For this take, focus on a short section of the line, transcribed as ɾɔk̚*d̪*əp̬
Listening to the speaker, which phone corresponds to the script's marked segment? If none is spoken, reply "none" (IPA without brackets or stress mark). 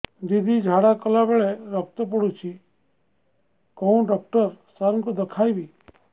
t̪